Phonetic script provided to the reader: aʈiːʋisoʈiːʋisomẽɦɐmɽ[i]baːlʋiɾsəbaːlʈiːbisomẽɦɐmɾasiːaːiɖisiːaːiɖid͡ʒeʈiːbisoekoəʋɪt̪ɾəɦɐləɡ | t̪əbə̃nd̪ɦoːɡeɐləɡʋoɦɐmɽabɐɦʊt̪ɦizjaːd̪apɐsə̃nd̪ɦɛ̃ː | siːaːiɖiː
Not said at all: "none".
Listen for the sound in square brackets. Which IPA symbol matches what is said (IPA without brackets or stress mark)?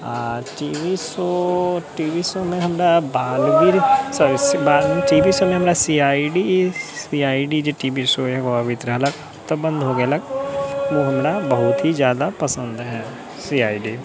a